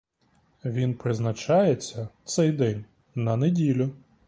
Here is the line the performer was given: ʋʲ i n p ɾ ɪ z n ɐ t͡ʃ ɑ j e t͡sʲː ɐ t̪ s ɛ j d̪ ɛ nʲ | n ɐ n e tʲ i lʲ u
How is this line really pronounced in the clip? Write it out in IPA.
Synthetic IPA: ʋʲ i n p ɾ ɪ z n ɐ t͡ʃ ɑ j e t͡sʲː ɐ t̪ s ɛ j d̪ ɛ nʲ | n ɐ n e dʲ i lʲ ʊ

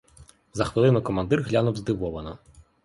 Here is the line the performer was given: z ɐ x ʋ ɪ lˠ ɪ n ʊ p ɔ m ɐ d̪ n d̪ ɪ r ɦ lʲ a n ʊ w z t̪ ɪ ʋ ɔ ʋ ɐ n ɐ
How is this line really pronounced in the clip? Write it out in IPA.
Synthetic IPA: z ɐ x ʋ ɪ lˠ ɪ n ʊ k ɔ m ɐ n d̪ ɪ r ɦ lʲ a n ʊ w z d̪ ɪ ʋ ɔ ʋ ɐ n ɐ

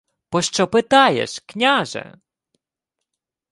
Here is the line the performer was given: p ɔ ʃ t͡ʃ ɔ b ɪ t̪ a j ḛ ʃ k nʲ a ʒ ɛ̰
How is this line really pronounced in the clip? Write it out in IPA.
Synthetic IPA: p ɔ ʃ t͡ʃ ɔ p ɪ t̪ ɑ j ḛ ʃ k nʲ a ʒ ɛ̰

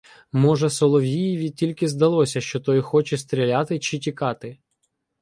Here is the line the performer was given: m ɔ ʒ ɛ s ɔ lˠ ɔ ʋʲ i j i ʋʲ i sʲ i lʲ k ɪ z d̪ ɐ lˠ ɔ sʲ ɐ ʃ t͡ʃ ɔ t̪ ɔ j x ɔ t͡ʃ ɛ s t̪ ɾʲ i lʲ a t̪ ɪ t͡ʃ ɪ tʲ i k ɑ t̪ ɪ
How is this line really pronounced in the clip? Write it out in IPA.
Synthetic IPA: m ɔ ʒ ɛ s ɔ lˠ ɔ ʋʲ i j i ʋʲ i tʲ i lʲ k ɪ z d̪ ɐ lˠ ɔ sʲ ɐ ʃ t͡ʃ ɔ t̪ ɔ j x ɔ t͡ʃ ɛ s t̪ ɾʲ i lʲ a t̪ ɪ t͡ʃ ɪ tʲ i k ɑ t̪ ɪ

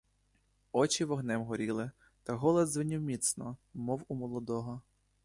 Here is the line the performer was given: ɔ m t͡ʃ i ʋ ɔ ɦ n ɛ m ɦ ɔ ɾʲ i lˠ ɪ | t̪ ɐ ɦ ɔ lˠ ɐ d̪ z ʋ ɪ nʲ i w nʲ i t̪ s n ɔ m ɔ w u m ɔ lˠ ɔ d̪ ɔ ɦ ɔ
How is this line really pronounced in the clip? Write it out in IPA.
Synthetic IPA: ɔ t͡ʃ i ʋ ɔ ɦ n ɛ m ɦ ɔ ɾʲ i lˠ ɪ | t̪ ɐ ɦ ɔ lˠ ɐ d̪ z ʋ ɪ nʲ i w mʲ i t̪ s n ɔ m ɔ w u m ɔ lˠ ɔ d̪ ɔ ɦ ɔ

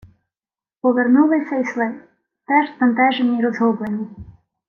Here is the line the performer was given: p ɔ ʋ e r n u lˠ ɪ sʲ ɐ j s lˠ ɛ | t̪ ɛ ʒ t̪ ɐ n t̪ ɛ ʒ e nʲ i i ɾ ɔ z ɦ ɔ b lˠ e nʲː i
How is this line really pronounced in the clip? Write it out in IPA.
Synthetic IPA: p ɔ ʋ e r n u lˠ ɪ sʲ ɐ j s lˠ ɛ | t̪ ɛ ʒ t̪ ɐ n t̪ ɛ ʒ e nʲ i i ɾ ɔ z ɦ ɔ b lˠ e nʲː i

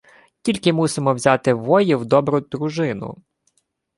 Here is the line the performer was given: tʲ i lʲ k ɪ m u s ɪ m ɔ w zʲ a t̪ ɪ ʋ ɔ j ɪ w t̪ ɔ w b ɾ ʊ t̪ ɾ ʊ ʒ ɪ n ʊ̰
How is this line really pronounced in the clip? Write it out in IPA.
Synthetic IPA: tʲ i lʲ k ɪ m u s ɪ m ɔ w zʲ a t̪ ɪ ʋ ɔ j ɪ w d̪ ɔ b ɾ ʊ d̪ ɾ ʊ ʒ ɪ n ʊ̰

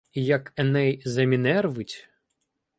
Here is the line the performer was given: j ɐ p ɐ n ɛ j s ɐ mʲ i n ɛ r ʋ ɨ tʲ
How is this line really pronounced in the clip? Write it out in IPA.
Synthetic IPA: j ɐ k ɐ n ɛ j z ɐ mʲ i n ɛ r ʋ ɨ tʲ

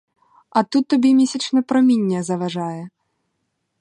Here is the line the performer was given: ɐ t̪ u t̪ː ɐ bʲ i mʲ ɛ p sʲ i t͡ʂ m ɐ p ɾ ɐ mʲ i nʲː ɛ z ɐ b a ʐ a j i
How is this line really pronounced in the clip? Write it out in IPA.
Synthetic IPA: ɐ t̪ u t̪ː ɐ bʲ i mʲ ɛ sʲ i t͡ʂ n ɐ p ɾ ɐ mʲ i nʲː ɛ z ɐ v a ʐ a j ɛ

